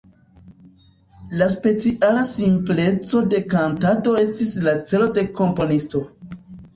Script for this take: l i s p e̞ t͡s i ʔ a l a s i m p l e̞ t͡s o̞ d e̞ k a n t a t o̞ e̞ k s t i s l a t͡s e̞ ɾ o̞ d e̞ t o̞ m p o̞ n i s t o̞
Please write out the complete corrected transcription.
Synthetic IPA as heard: l a s p e̞ t͡s i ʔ a l a s i m p l e̞ t͡s o̞ d e̞ k a n t a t o̞ e̞ s t i s l a t͡s e̞ l o̞ d e̞ k o̞ m p o̞ n i s t o̞